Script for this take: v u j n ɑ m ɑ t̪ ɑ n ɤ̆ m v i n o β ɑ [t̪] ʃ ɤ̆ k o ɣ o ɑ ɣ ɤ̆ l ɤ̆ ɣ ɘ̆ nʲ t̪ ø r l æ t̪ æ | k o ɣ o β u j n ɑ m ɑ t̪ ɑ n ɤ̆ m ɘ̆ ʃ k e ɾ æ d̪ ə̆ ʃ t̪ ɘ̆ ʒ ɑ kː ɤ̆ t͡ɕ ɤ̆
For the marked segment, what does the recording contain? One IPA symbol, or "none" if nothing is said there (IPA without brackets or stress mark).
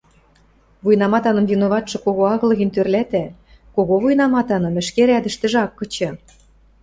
t̪